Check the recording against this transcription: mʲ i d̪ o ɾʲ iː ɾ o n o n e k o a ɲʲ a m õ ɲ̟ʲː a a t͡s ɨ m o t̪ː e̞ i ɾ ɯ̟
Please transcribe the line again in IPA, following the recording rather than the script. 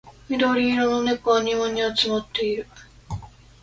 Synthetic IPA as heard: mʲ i d̪ o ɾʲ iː ɾ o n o n e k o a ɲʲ i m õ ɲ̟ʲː i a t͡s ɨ m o t̪ː e̞ i ɾ ɯ̟